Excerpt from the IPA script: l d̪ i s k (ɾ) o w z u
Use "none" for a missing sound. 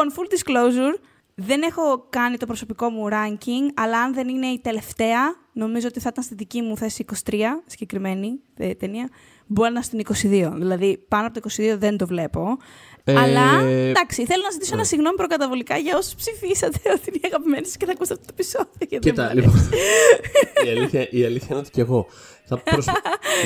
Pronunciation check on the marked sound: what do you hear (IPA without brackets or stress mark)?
l